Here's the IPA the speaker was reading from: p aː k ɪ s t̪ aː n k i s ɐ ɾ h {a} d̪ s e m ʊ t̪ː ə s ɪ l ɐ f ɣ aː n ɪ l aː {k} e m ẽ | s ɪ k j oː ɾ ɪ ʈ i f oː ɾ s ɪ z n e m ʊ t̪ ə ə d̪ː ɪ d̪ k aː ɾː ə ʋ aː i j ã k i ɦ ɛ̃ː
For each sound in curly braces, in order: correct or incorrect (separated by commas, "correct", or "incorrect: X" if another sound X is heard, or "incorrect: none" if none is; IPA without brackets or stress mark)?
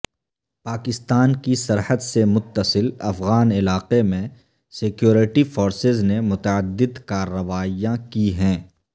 incorrect: ə, incorrect: q